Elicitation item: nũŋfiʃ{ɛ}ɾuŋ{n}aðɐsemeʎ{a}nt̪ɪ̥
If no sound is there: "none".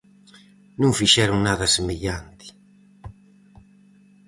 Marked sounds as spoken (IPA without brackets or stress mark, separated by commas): ɛ, n, a